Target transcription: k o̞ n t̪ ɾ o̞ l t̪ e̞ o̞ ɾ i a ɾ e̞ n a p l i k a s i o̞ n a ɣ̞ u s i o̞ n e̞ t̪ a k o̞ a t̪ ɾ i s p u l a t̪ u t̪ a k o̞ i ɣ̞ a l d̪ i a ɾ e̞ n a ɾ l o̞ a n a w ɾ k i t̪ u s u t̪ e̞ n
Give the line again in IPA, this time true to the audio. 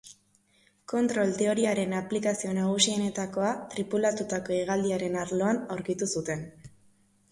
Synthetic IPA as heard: k o̞ n t̪ ɾ o̞ l t̪ e̞ o̞ ɾ i a ɾ e̞ n a p l i k a s i o̞ n a ɣ̞ u s i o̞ n e̞ t̪ a k o̞ a t̪ ɾ i p u l a t̪ u t̪ a k o̞ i ɣ̞ a l d̪ i a ɾ e̞ n a ɾ l o̞ a n a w ɾ k i t̪ u s u t̪ e̞ n